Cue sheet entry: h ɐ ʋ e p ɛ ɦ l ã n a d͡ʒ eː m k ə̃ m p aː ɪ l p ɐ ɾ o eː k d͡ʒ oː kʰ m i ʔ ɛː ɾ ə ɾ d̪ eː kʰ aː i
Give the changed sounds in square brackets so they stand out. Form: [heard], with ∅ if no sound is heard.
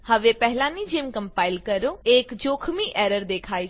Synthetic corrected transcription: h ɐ ʋ e p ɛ ɦ l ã n [i] d͡ʒ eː m k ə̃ m p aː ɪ l [k] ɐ ɾ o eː k d͡ʒ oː kʰ m i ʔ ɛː ɾ ə ɾ d̪ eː kʰ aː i